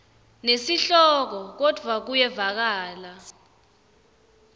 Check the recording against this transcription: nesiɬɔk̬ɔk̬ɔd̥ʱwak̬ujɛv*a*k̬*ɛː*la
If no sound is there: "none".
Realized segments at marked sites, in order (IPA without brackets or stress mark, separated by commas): a, aː